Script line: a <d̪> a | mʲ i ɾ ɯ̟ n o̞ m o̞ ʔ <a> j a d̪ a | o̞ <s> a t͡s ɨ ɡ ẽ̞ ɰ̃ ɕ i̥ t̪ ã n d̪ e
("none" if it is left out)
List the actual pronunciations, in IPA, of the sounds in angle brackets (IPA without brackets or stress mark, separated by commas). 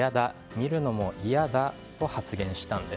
d̪, i, h